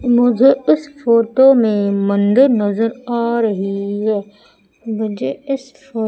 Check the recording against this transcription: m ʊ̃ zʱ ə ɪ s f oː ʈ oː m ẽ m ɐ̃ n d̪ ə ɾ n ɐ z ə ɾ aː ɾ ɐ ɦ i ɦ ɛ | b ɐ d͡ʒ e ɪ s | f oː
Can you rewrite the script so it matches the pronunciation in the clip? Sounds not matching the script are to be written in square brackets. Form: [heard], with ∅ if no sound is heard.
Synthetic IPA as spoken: m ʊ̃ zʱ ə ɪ s f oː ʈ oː m ẽ m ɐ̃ n d̪ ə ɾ n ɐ z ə ɾ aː ɾ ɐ ɦ i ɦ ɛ | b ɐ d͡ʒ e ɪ s | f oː